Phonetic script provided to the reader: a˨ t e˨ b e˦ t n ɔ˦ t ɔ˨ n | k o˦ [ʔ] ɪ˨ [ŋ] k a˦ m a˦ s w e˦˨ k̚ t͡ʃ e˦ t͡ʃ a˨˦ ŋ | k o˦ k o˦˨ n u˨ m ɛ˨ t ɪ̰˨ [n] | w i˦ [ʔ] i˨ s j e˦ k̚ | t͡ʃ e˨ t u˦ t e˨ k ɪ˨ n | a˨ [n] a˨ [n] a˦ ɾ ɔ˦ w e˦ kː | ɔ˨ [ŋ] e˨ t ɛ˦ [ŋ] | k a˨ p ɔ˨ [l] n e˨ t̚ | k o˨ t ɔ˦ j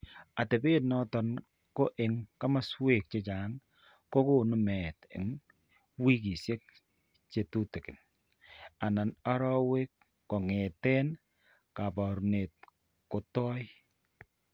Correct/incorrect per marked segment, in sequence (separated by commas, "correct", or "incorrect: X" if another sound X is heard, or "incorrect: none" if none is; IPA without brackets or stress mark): correct, correct, incorrect: ŋ, incorrect: k, correct, correct, correct, incorrect: n, incorrect: ɾ